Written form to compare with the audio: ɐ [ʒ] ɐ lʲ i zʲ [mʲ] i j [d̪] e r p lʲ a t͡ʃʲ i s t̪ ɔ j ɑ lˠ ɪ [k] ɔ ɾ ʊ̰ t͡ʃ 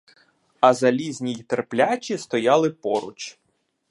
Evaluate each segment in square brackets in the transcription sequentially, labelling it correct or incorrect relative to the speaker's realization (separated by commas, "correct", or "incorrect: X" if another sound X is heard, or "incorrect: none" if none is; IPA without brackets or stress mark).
incorrect: z, incorrect: nʲ, incorrect: t̪, incorrect: p